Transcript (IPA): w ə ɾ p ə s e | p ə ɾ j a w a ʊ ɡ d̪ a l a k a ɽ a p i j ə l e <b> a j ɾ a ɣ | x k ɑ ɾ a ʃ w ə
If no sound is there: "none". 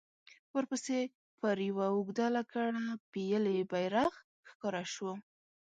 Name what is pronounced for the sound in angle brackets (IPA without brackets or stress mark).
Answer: b